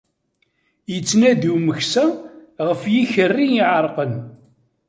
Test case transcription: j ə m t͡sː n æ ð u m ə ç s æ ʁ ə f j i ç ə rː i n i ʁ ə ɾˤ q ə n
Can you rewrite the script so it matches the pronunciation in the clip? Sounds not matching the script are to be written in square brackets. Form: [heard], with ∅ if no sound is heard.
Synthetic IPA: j ə [∅] t͡sː n æ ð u m ə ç s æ ʁ ə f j i ç ə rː i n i [ʕ] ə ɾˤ q ə n